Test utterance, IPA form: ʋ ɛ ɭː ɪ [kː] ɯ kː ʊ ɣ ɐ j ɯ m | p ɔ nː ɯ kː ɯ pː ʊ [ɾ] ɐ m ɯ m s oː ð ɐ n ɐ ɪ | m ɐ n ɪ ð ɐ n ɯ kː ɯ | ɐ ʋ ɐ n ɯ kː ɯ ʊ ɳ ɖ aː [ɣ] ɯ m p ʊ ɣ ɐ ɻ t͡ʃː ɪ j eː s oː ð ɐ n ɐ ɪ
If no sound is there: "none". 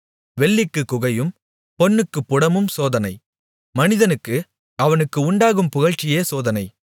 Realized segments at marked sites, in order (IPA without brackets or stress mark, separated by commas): kː, ɽ, ɣ